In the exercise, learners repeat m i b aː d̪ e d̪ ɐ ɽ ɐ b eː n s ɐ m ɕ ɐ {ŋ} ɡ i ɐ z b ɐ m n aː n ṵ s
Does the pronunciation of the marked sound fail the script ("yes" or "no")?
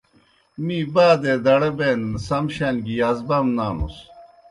yes